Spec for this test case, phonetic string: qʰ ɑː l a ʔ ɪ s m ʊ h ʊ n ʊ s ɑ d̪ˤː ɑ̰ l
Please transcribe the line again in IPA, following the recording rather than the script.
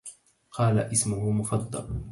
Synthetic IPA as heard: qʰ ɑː l a ʔ ɪ s m ʊ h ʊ m ʊ f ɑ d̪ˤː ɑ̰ l